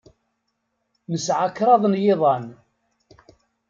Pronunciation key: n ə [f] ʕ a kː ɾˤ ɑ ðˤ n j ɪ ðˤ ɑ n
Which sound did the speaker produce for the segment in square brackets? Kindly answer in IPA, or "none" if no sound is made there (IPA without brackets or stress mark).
s